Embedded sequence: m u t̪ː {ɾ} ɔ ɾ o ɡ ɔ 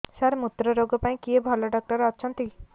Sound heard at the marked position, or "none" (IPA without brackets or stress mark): ɾ